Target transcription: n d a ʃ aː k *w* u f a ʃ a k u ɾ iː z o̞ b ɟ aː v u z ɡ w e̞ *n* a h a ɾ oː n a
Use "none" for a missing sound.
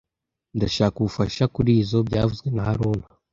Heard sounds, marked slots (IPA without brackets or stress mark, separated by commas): u, n